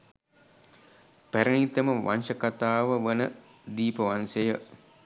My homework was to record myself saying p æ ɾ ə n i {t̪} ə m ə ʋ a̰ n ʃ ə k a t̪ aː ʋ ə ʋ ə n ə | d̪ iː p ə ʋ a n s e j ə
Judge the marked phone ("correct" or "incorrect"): correct